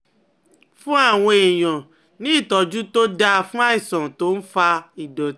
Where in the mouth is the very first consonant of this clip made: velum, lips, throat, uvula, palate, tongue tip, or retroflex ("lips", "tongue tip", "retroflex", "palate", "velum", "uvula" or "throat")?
lips